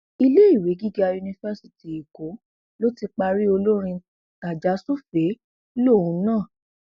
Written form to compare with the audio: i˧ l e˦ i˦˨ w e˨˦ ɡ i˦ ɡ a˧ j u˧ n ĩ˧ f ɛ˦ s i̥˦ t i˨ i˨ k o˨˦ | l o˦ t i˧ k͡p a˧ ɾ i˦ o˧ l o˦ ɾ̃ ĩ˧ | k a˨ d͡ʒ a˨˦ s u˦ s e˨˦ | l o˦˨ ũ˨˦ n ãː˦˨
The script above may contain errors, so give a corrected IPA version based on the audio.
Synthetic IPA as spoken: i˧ l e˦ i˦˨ w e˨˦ ɡ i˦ ɡ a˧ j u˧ n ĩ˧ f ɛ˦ s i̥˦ t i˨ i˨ k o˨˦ | l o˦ t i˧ k͡p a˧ ɾ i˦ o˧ l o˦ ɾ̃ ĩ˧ | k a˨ d͡ʒ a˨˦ s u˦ f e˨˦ | l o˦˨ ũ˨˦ n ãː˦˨